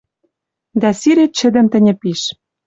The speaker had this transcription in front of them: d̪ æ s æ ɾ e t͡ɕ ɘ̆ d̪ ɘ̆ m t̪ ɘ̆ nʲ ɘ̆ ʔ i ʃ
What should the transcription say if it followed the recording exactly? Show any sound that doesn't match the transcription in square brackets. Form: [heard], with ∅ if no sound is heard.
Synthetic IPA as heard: d̪ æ s [i] ɾ e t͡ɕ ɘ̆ d̪ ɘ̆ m t̪ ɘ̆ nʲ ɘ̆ [p] i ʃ